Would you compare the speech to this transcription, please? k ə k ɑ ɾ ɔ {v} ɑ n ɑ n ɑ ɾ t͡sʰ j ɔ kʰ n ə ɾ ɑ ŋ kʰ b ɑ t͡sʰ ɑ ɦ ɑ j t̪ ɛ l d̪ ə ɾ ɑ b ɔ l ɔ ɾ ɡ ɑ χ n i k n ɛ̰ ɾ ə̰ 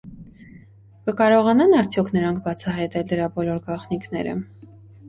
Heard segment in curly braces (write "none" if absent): ʁ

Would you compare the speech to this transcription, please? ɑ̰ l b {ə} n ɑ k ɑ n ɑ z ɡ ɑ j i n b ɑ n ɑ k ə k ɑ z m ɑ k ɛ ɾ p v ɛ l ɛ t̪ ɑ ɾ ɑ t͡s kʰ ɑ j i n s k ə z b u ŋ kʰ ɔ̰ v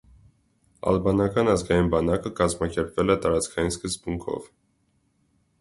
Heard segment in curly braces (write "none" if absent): ɑ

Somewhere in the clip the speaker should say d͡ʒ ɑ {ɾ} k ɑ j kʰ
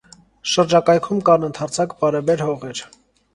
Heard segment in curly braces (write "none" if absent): none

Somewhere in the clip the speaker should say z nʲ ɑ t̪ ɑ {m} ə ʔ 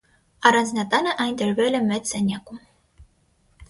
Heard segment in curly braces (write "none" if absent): n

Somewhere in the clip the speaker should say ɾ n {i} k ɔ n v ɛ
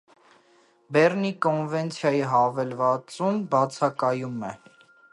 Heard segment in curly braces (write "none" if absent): i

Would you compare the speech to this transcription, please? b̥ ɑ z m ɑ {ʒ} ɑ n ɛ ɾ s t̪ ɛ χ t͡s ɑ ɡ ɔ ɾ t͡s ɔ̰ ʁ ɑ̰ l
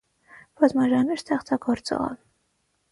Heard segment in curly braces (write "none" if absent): ʒ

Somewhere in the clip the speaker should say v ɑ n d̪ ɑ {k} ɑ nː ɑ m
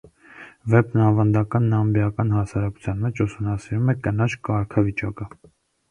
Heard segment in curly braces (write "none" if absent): k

